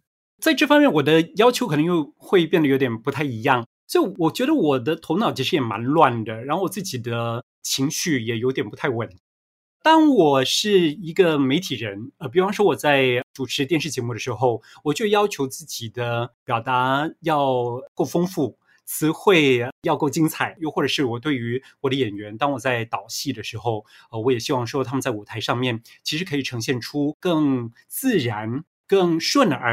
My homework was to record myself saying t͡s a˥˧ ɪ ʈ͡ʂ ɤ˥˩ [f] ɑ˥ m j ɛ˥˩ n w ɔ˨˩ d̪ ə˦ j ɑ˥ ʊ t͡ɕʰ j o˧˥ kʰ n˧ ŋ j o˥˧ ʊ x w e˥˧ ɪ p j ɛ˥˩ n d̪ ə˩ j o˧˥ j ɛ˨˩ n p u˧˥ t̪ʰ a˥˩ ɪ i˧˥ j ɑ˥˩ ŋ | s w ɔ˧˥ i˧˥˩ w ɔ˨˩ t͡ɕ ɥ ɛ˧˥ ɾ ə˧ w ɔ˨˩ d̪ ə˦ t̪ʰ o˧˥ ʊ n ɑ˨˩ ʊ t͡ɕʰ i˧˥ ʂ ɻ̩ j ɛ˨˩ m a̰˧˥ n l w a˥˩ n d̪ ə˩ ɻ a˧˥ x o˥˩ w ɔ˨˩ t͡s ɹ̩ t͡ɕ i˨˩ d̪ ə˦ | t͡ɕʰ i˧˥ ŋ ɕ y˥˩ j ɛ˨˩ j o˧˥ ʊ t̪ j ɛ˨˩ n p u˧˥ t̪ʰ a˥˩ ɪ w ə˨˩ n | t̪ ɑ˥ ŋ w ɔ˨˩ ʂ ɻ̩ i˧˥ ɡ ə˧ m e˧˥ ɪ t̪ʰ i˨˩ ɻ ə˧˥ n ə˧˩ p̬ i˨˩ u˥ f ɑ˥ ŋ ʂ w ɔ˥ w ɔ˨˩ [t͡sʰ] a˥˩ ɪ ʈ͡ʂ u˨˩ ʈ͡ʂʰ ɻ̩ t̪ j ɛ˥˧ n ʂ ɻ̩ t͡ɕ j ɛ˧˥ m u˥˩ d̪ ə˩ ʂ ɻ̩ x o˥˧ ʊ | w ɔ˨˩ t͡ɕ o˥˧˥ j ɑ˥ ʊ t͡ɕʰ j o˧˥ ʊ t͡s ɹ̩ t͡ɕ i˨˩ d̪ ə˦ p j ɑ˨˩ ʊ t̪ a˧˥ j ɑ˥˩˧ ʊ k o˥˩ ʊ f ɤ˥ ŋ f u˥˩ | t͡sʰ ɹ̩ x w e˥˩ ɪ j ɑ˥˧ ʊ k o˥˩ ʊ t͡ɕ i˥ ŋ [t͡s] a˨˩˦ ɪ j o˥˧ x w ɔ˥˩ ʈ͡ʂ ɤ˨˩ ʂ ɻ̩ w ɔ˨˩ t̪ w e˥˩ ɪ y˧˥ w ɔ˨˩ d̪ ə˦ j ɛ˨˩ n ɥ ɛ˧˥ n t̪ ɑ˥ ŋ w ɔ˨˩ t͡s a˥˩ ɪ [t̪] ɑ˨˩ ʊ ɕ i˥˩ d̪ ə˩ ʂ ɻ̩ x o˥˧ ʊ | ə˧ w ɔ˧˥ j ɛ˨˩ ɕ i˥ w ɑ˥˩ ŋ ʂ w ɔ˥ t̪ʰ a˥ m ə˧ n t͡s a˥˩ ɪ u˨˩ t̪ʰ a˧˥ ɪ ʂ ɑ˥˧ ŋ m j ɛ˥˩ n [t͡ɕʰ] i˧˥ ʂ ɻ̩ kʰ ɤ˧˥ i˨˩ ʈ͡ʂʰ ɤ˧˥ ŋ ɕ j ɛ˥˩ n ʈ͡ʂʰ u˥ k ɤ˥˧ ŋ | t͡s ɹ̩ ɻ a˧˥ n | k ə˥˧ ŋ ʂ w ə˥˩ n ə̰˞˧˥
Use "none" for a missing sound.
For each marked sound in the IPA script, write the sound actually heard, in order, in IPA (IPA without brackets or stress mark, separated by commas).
f, t͡s, t͡sʰ, t̪, t͡ɕʰ